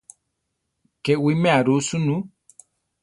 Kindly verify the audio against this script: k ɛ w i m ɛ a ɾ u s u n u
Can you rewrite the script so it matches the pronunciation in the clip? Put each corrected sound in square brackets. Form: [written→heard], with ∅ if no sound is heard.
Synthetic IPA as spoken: k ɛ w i m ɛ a ɾ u s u n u